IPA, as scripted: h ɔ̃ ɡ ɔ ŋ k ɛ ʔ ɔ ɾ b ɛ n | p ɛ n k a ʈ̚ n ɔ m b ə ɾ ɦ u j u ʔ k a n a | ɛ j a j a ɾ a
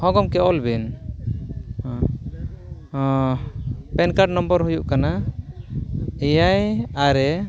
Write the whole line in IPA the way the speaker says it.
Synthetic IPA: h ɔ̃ ɡ ɔ m k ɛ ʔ ɔ l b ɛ n | p ɛ n k a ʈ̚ n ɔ m b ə ɾ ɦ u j u ʔ k a n a | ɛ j a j a ɾ ɛ

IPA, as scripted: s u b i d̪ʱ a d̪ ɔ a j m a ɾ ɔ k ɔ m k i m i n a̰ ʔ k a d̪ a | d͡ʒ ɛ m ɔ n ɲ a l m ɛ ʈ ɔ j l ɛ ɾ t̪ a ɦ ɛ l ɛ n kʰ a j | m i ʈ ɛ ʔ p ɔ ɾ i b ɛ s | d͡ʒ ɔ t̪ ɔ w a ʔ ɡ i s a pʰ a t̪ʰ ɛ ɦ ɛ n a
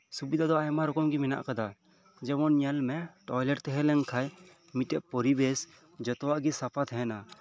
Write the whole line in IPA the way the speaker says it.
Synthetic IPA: s u b i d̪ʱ a d̪ ɔ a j m a ɾ ɔ k ɔ m ɡ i m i n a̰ ʔ k a d̪ a | d͡ʒ ɛ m ɔ n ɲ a l m ɛ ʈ ɔ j l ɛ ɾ t̪ ɛ ɦ ɛ l ɛ ŋ kʰ a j | m i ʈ ɛ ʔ p ɔ ɾ i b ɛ s | d͡ʒ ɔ t̪ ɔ w a ʔ ɡ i s a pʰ a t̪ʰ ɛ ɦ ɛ n a

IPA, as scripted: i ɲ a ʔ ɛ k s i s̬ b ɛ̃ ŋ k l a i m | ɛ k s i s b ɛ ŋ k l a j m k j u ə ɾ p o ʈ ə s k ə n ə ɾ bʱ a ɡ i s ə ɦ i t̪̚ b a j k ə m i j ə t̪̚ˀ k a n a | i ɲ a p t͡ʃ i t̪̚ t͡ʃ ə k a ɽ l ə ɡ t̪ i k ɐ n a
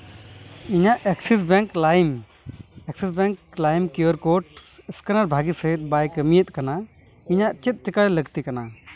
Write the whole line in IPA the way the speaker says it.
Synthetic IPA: i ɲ a ʔ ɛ k s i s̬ b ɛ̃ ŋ k l a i m | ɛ k s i s b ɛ ŋ k l a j m k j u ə ɾ k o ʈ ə s k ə n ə ɾ bʱ a ɡ i s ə ɦ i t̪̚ b a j k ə m i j ə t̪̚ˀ k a n a | i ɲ a ʔ t͡ʃ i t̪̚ t͡ʃ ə k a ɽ l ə ɡ t̪ i k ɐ n a

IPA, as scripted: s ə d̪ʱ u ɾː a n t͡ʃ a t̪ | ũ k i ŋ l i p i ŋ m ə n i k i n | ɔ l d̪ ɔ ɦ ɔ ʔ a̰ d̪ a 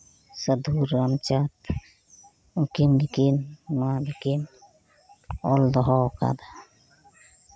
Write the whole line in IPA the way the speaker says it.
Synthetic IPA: s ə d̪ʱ u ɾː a m t͡ʃ a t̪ | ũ k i m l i k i n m a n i k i n | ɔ l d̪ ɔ ɦ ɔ k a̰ d̪ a

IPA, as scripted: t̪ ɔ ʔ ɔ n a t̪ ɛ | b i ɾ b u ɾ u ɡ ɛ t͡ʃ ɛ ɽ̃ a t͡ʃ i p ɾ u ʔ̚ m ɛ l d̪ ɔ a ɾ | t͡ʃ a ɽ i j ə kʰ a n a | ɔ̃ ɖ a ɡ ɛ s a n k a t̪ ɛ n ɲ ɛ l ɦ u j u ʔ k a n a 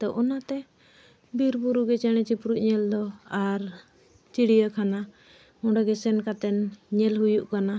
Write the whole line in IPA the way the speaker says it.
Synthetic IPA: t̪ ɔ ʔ ɔ n a t̪ ɛ | b i ɾ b u ɾ u ɡ ɛ t͡ʃ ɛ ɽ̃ ɛ t͡ʃ i p ɾ u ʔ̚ ɲ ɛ l d̪ ɔ a ɾ | t͡ʃ i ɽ i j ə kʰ a n a | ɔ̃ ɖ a ɡ ɛ s ɛ n k a t̪ ɛ n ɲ ɛ l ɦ u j u ʔ k a n a

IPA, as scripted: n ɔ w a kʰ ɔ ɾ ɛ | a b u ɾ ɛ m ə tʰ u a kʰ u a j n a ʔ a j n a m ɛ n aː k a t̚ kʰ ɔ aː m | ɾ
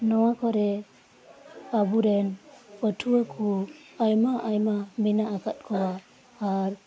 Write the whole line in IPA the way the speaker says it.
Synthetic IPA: n ɔ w a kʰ ɔ ɾ ɛ | a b u ɾ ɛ n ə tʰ u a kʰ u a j m a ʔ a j m a m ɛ n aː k a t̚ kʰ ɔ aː | ɾ

